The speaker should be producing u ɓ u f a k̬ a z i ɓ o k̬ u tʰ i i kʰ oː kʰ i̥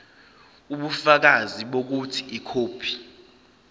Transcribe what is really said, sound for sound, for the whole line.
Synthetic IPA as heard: u ɓ u f a k̬ a z i ɓ o k̬ u tʰ i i kʰ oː pʰ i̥